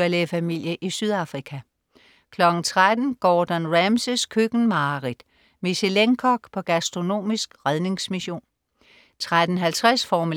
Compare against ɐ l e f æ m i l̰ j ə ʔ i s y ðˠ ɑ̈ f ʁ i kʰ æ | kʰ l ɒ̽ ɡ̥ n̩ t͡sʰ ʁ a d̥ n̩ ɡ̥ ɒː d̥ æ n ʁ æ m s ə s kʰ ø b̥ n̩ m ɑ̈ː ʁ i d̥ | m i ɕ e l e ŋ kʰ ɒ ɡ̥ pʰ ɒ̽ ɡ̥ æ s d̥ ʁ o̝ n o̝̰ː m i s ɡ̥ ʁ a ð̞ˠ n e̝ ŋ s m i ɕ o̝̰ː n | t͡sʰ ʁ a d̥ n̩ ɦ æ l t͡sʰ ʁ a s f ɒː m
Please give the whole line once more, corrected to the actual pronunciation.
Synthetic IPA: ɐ l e f æ m i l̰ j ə ʔ i s y ðˠ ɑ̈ f ʁ i kʰ æ | kʰ l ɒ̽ ɡ̥ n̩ t͡sʰ ʁ a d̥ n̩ ɡ̥ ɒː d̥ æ n ʁ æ m s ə s kʰ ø ɡ̥ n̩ m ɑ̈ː ʁ i d̥ | m i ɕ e l e ŋ kʰ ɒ ɡ̥ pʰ ɒ̽ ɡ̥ æ s d̥ ʁ o̝ n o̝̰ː m i s ɡ̥ ʁ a ð̞ˠ n e̝ ŋ s m i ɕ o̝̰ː n | t͡sʰ ʁ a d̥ n̩ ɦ æ l t͡sʰ ʁ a s f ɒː m

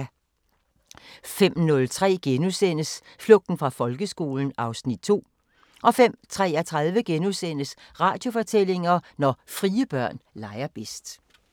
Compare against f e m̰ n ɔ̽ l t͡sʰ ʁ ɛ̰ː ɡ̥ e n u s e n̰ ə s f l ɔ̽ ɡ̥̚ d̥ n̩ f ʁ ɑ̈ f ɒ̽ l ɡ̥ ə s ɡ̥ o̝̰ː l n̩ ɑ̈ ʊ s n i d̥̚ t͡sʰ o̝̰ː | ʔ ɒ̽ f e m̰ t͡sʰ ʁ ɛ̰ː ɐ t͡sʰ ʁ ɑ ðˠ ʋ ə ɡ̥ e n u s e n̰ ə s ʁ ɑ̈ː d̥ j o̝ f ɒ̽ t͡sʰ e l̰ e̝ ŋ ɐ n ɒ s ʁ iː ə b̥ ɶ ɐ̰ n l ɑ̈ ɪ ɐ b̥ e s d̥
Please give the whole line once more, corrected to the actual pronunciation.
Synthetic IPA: f e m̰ n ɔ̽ l t͡sʰ ʁ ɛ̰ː ɡ̥ e n u s e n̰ ə s f l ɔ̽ ɡ̥̚ d̥ n̩ f ʁ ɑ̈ f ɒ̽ l ɡ̥ ə s ɡ̥ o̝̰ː l n̩ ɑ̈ ʊ s n i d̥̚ t͡sʰ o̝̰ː | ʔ ɒ̽ f e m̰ t͡sʰ ʁ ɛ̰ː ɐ t͡sʰ ʁ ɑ ðˠ ʋ ə ɡ̥ e n u s e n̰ ə s ʁ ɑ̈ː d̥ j o̝ f ɒ̽ t͡sʰ e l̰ e̝ ŋ ɐ n ɒ f ʁ iː ə b̥ ɶ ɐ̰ n l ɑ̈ ɪ ɐ b̥ e s d̥

